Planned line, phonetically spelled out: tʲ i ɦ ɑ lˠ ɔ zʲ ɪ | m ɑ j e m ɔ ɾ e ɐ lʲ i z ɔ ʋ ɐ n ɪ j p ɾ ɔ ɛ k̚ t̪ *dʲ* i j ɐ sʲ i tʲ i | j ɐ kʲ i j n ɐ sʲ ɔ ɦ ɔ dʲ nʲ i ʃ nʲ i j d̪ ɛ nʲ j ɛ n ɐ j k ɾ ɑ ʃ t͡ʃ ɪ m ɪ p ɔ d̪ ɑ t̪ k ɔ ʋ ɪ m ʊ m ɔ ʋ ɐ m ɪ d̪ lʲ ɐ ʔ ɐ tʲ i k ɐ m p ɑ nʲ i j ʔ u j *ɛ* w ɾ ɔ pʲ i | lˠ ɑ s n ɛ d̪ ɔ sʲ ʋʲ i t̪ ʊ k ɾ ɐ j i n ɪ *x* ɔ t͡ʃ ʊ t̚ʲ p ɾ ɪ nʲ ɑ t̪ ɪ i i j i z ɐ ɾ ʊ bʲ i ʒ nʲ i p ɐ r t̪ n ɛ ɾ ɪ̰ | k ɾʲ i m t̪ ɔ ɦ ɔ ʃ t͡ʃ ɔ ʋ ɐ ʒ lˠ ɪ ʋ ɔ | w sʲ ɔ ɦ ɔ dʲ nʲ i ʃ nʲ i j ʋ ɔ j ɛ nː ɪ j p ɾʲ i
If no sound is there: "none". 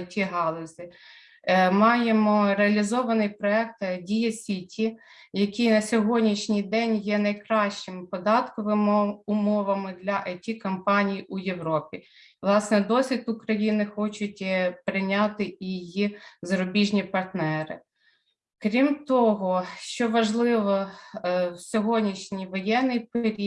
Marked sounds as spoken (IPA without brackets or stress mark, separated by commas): dʲ, e, x